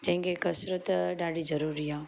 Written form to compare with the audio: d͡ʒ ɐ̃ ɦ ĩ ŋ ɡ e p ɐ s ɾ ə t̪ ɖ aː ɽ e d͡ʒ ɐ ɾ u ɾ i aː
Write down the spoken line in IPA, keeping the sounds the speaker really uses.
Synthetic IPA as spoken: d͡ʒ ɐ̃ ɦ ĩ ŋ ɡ e k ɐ s ɾ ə t̪ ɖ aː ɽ i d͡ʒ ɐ ɾ u ɾ i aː